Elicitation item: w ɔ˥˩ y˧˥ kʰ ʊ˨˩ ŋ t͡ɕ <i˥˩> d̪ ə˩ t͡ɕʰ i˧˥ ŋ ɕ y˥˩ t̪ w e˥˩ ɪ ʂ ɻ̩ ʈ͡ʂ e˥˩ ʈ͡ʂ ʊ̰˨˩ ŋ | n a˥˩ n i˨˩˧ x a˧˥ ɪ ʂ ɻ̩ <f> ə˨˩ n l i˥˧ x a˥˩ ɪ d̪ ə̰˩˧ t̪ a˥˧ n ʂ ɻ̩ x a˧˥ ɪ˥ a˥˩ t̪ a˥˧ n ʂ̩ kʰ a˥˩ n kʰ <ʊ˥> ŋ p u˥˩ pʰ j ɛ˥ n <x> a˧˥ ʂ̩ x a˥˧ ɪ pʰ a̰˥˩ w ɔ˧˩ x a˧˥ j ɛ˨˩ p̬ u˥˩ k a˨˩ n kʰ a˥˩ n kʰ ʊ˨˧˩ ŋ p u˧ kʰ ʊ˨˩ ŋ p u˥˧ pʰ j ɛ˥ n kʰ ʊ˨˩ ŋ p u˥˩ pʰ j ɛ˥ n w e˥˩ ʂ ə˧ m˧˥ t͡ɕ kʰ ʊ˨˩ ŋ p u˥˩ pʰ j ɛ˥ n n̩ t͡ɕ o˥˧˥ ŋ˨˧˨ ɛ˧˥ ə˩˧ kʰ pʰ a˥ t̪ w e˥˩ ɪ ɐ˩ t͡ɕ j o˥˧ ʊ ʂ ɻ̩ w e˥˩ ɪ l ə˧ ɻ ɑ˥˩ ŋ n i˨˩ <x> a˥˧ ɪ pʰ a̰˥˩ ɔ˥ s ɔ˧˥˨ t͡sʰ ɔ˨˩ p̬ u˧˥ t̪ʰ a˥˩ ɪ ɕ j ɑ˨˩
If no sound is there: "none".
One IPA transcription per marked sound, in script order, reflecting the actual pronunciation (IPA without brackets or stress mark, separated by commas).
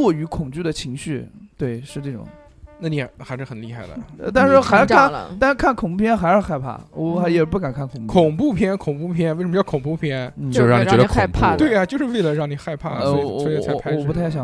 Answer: y˥˩, x, ʊ˨˩, x, x